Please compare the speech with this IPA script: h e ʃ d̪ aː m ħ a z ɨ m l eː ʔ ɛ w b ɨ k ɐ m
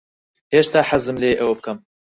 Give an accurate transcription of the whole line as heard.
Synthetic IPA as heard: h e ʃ t̪ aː ħ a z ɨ m l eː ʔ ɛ w b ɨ k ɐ m